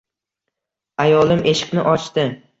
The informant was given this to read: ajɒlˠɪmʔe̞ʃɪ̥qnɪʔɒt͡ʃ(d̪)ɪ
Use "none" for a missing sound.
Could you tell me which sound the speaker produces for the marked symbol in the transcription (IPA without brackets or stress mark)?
t̪